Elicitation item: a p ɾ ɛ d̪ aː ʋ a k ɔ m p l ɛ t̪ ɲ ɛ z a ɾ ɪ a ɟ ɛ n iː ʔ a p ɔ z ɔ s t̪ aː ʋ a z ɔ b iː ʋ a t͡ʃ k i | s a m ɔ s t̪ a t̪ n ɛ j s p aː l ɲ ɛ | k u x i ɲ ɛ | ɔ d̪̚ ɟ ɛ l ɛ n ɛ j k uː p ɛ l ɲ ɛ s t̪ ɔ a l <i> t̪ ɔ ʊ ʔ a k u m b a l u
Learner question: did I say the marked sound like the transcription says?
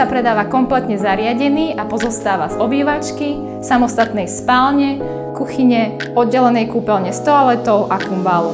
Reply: no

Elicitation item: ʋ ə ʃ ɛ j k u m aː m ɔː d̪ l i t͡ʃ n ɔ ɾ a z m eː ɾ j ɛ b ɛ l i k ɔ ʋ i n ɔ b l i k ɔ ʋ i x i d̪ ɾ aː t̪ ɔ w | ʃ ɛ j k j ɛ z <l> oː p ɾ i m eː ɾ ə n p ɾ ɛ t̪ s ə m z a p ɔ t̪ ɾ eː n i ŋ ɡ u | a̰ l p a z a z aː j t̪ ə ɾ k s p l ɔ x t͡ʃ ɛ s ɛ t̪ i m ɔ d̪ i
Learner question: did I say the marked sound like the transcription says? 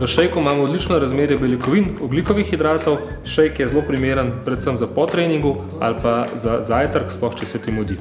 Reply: yes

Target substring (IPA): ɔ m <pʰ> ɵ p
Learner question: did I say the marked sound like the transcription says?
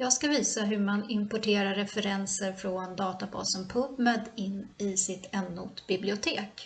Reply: yes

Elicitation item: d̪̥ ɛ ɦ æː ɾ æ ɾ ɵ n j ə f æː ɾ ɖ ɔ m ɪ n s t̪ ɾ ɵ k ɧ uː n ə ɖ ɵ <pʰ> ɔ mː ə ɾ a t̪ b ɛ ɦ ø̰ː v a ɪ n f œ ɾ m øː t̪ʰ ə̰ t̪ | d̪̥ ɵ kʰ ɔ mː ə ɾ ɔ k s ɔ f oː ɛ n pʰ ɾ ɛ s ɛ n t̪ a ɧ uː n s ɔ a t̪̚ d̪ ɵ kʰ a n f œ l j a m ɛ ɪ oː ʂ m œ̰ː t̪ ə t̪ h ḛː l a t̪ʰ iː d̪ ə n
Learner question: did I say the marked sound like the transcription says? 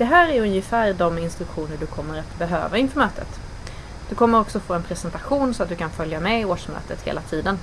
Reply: no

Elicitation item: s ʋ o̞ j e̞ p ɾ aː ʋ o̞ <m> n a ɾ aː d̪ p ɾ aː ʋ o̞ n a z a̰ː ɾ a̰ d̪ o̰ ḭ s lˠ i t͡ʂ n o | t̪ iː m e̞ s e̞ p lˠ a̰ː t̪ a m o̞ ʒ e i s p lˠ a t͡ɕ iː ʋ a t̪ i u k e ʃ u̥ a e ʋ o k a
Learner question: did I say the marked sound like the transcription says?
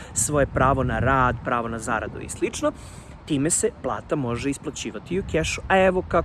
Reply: no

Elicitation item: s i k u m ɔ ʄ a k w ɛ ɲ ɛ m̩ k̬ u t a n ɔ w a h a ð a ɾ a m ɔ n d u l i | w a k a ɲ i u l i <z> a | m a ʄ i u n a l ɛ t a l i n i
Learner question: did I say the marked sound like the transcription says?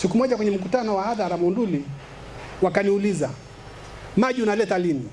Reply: yes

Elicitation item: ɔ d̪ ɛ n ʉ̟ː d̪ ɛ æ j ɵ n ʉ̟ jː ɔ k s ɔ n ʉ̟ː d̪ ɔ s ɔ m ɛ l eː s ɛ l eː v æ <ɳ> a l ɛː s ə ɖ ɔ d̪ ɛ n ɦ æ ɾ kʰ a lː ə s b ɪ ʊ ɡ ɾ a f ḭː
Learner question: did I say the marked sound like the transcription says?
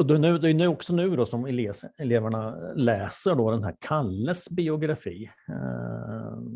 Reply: yes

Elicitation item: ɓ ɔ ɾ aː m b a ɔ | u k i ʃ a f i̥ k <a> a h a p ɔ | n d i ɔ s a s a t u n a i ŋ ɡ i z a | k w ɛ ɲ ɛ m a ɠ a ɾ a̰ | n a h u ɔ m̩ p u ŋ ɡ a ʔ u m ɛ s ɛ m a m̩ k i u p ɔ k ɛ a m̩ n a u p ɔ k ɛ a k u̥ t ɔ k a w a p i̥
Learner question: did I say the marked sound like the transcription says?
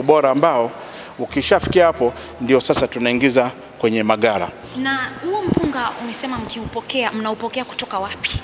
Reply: no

